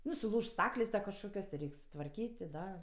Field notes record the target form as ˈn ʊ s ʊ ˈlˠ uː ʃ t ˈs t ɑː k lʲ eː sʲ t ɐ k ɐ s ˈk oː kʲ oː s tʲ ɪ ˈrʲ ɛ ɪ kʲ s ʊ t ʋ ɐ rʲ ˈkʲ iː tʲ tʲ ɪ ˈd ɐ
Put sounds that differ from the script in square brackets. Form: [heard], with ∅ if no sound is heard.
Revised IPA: ˈn ʊ s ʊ ˈlˠ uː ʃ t ˈs t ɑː k lʲ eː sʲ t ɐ k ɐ [ʃ] ˈk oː kʲ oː s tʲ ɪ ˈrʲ ɛ ɪ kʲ s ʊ t ʋ ɐ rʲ ˈkʲ iː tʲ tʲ ɪ ˈd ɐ